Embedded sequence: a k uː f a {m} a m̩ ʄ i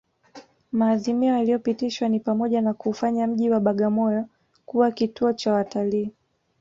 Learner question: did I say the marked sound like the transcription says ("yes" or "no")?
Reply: no